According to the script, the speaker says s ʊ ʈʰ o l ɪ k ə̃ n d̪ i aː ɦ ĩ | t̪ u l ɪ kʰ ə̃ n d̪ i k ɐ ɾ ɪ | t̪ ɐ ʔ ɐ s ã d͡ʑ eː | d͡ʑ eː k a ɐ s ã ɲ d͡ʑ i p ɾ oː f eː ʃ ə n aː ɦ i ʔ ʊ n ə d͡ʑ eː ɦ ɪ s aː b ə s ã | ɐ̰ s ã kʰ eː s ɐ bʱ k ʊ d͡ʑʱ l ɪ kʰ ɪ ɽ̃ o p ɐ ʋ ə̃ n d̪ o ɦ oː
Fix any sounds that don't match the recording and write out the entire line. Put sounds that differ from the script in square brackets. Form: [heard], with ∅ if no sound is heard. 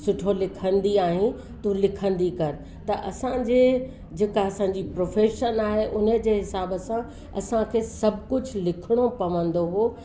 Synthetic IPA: s ʊ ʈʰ o l ɪ [kʰ] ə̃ n d̪ i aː ɦ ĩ | t̪ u l ɪ kʰ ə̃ n d̪ i k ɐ ɾ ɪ | t̪ ɐ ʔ ɐ s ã d͡ʑ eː | d͡ʑ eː k a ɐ s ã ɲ d͡ʑ i p ɾ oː f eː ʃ ə n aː ɦ [e] ʔ ʊ n ə d͡ʑ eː ɦ ɪ s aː b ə s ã | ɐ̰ s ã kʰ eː s ɐ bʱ k ʊ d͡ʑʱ l ɪ kʰ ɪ ɽ̃ o p ɐ ʋ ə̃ n d̪ o ɦ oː

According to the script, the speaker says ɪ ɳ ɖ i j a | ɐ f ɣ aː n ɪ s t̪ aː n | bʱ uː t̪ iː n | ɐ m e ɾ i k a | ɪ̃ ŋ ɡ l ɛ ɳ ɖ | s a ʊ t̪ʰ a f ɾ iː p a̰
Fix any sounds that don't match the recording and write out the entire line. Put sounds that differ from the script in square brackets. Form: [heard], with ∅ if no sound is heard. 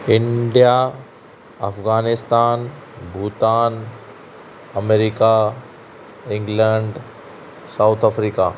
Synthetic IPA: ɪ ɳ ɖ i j a | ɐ f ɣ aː n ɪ s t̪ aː n | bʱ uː t̪ [aː] n | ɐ m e ɾ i k a | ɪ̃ ŋ ɡ l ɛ ɳ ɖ | s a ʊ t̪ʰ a f ɾ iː [k] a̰

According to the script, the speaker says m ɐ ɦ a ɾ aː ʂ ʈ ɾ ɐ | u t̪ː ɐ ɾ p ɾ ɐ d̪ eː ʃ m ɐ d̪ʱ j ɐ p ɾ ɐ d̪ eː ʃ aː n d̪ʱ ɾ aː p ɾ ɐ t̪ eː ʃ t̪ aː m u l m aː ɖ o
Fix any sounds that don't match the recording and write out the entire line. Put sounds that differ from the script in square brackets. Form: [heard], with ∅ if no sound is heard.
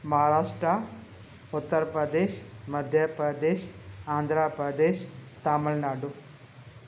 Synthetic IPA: m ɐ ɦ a ɾ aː ʂ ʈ ɾ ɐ | u t̪ː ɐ ɾ p ɾ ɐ d̪ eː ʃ m ɐ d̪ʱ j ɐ p ɾ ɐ d̪ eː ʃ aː n d̪ʱ ɾ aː p ɾ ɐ [d̪] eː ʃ t̪ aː m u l [n] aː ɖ [u]

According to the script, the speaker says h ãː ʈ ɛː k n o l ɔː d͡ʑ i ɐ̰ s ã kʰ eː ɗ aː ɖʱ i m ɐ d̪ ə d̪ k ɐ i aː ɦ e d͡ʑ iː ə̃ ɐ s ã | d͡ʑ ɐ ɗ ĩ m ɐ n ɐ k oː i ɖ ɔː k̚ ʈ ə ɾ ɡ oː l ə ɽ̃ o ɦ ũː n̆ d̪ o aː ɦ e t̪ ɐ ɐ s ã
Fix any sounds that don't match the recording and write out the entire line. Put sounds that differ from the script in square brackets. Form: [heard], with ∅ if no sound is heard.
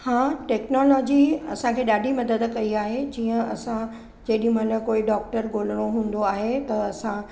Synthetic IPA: h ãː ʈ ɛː k n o l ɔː d͡ʑ i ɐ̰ s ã kʰ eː ɗ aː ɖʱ i m ɐ d̪ ə d̪ k ɐ i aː ɦ e d͡ʑ iː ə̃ ɐ s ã | d͡ʑ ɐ ɗ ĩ m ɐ n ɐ k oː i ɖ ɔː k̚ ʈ ə ɾ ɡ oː l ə ɽ̃ o ɦ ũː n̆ d̪ o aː ɦ e t̪ ɐ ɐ s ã

